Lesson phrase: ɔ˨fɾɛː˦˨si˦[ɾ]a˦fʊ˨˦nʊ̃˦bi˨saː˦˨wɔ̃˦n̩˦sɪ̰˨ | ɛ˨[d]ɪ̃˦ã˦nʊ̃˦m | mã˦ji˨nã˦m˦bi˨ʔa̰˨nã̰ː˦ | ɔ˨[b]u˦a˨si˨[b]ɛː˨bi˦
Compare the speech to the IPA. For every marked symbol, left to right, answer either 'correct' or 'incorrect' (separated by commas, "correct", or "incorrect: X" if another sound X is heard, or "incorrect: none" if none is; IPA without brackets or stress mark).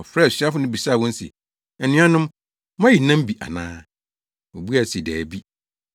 incorrect: none, incorrect: n, correct, incorrect: d